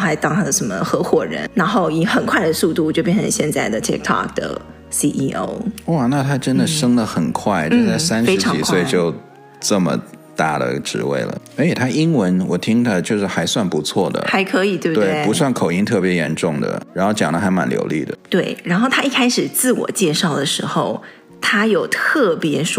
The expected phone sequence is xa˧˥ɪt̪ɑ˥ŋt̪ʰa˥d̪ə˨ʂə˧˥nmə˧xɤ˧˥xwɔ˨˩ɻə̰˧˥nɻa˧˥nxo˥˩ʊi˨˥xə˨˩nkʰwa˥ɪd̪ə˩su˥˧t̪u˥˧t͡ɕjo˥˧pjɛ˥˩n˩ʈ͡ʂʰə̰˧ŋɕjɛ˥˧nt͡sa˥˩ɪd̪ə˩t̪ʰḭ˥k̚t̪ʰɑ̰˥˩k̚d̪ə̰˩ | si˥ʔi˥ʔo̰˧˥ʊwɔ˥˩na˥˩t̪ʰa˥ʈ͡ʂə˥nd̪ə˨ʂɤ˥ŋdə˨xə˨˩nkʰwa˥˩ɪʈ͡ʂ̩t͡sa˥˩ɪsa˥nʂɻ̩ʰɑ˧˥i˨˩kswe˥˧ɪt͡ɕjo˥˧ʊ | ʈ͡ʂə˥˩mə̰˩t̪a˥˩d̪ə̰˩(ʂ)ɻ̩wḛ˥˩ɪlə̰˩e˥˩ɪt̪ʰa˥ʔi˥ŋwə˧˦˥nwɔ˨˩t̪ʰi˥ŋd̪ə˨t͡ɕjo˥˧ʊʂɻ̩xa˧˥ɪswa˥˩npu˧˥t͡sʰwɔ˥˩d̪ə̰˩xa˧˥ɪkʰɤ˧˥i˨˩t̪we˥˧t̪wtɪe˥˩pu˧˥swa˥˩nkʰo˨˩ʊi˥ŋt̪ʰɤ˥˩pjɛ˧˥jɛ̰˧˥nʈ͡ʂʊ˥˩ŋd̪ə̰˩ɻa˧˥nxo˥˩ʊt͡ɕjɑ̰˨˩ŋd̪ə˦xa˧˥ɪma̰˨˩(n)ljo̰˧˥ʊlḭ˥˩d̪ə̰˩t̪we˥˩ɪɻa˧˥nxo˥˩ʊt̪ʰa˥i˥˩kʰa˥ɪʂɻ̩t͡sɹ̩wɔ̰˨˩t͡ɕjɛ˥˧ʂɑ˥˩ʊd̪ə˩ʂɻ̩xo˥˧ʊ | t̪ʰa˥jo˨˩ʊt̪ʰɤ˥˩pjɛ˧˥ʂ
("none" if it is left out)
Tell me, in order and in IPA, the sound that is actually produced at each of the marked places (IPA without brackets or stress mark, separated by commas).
ʈ͡ʂ, n